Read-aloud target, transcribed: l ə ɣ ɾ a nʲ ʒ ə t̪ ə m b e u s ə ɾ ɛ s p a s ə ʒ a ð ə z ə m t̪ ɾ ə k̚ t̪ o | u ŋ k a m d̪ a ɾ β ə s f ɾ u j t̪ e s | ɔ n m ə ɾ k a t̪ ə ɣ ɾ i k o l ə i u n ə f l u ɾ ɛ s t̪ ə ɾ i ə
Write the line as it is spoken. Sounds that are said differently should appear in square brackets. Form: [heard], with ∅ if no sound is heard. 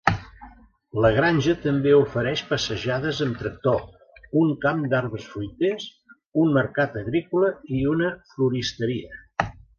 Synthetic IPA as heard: l ə ɣ ɾ a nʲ ʒ ə t̪ ə m b e u [f] ə ɾ ɛ [ʃ] p [ə] s ə ʒ a ð ə z ə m t̪ ɾ ə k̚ t̪ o | u ŋ k a m d̪ a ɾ β ə s f ɾ u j t̪ e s | [u] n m ə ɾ k a t̪ ə ɣ ɾ i k [u] l ə i u n ə f l u ɾ [i] s t̪ ə ɾ i ə